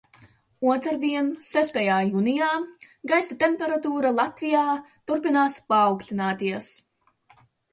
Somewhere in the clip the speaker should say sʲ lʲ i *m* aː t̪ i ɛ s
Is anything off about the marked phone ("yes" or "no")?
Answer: yes